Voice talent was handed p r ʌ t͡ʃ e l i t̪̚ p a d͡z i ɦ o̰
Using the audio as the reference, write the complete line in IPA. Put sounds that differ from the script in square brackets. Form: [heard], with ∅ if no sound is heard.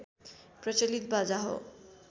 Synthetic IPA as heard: p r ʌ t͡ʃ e l i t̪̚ [b] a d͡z [a] ɦ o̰